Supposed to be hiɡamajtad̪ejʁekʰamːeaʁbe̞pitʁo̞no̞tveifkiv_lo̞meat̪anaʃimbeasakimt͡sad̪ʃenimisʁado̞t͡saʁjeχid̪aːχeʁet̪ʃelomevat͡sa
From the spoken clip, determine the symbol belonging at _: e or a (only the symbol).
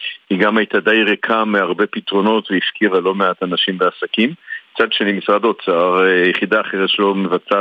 a